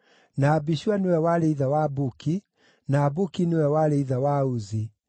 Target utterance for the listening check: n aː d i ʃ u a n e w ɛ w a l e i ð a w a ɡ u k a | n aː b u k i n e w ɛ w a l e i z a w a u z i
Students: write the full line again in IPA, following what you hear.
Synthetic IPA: n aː b i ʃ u a n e w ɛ w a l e i ð a w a b u k i | n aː b u k i n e w ɛ w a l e i ð a w a u z i